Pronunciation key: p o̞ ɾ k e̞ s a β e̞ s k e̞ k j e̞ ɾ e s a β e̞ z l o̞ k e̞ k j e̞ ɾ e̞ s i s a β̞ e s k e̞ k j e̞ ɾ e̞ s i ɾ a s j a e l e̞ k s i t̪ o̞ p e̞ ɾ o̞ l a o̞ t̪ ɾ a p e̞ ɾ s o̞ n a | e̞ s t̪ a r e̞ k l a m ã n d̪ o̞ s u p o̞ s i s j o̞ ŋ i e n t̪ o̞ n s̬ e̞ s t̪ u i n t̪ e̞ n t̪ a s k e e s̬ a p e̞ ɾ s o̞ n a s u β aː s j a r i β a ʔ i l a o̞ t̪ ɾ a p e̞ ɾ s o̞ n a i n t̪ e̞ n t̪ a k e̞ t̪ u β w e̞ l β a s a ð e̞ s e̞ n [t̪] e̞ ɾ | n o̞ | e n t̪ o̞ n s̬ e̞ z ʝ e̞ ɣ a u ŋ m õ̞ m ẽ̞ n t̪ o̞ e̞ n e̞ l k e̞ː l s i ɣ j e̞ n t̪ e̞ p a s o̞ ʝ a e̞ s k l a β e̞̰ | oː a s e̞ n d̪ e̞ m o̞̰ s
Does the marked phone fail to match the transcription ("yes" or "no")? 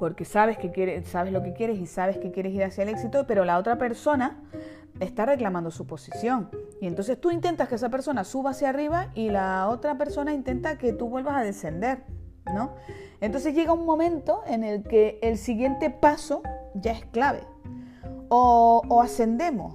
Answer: yes